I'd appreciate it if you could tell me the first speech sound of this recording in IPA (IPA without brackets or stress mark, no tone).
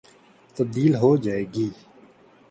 t̪